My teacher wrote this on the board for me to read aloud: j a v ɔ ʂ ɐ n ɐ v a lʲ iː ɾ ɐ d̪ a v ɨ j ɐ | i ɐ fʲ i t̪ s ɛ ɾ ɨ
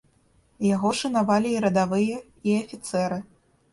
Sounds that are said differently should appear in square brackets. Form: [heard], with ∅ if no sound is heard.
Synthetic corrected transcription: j a [ɣ] ɔ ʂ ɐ n [a] v a lʲ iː ɾ ɐ d̪ a v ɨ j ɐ | i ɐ fʲ i t̪ s ɛ ɾ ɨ